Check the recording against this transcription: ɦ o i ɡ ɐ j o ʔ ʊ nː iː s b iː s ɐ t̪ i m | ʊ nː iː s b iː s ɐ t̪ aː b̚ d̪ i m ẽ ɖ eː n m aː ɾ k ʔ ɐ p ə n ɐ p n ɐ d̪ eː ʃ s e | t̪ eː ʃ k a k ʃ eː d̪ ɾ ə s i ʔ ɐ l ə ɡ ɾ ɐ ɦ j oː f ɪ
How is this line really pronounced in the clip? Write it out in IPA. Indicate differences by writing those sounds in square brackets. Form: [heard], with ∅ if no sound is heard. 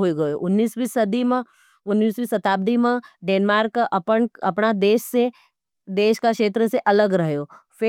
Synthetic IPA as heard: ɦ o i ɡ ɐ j o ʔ ʊ nː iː s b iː s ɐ [d̪] i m | ʊ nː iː s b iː s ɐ t̪ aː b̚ d̪ i m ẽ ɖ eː n m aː ɾ k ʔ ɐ p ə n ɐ p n [a] d̪ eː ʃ s e | [d̪] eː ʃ k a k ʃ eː [t̪] ɾ ə s [e] ʔ ɐ l ə ɡ ɾ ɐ ɦ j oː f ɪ

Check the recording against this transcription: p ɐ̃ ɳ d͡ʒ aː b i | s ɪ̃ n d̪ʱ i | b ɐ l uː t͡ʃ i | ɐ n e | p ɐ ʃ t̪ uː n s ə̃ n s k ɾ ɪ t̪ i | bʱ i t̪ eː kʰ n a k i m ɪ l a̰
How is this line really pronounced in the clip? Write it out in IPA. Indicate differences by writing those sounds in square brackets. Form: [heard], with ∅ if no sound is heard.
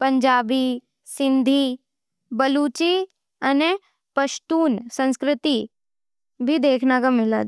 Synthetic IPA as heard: p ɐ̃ [ɲ] d͡ʒ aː b i | s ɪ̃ n d̪ʱ i | b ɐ l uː t͡ʃ i | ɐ n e | p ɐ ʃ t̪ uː n s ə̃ n s k ɾ ɪ t̪ i | bʱ i [d̪] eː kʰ n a k [a] m ɪ l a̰

